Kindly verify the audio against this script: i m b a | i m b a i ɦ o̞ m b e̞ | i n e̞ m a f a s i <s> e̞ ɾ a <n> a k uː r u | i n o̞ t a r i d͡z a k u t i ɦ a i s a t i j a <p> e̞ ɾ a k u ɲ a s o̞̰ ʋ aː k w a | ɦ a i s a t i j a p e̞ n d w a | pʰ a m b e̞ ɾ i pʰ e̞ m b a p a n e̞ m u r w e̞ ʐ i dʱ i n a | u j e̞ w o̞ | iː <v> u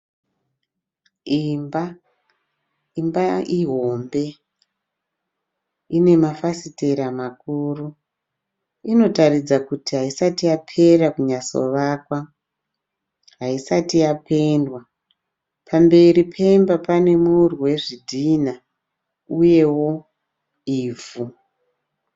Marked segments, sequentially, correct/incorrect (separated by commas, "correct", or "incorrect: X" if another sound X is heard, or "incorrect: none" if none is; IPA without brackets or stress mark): incorrect: t, incorrect: m, incorrect: pʰ, correct